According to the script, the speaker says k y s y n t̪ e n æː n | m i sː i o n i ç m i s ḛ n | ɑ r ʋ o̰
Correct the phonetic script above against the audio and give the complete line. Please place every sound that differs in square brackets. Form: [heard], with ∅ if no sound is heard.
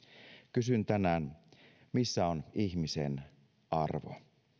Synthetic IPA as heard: k y s y n t̪ [æ] n æː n | m i sː [æ] o n i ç m i s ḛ n | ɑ r ʋ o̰